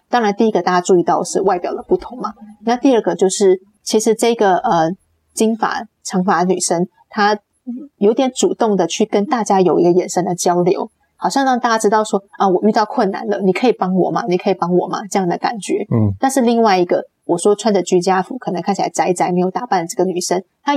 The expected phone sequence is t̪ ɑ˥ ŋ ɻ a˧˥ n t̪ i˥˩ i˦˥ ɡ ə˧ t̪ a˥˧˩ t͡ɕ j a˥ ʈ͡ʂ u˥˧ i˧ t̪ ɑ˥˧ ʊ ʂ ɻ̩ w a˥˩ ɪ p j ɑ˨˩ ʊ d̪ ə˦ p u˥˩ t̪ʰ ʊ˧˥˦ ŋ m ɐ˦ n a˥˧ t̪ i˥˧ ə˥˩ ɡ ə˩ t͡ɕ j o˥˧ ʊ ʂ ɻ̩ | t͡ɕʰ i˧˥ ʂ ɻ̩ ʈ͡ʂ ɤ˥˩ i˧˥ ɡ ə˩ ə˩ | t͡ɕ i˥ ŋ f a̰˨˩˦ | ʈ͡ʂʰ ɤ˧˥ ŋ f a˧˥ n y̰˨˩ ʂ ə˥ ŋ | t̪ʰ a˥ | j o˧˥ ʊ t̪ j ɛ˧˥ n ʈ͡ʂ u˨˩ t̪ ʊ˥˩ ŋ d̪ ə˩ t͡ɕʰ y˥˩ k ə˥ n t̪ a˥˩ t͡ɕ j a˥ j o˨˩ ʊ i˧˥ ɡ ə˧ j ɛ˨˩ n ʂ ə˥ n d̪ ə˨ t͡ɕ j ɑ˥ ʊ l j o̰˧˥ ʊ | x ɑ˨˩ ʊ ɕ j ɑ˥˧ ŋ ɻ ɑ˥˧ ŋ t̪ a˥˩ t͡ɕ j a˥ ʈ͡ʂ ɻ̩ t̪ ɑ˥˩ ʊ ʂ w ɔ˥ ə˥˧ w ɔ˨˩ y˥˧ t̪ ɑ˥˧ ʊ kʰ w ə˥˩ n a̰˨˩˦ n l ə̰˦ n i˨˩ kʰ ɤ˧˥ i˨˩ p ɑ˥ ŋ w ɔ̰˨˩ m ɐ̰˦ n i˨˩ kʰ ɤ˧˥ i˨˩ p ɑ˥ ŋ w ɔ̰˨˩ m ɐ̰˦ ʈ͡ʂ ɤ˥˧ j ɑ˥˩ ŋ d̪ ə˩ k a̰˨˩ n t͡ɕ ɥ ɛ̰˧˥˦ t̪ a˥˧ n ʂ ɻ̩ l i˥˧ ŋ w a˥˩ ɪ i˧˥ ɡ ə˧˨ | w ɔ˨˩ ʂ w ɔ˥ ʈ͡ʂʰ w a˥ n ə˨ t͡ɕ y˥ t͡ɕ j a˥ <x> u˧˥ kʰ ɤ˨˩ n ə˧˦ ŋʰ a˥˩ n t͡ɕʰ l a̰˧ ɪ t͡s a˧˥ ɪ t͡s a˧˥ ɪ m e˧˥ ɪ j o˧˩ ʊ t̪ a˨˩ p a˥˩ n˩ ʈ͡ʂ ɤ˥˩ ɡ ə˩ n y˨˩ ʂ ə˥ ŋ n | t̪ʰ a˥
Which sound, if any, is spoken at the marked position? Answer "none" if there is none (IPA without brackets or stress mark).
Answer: f